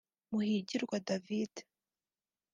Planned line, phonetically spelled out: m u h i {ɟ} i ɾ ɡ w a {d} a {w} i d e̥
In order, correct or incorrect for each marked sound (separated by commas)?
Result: correct, correct, incorrect